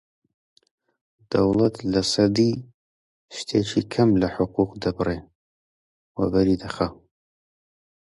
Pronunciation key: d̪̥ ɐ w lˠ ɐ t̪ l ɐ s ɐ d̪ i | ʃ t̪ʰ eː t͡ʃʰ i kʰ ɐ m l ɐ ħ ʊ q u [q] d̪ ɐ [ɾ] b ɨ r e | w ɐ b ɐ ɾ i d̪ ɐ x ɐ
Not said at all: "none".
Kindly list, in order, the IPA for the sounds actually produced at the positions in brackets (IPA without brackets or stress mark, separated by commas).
q, none